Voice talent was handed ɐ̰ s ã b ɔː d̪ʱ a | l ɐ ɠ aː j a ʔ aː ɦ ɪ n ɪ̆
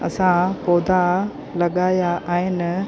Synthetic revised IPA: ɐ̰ s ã p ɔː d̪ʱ a | l ɐ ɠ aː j a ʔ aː ɦ ɪ n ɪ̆